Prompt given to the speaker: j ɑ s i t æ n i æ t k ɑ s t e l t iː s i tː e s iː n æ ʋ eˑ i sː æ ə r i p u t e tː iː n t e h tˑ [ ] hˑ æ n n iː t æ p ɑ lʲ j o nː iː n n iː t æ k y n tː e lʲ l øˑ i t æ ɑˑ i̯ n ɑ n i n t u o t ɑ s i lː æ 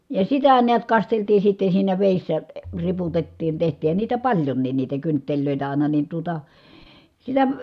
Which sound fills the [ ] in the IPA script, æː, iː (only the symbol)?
iː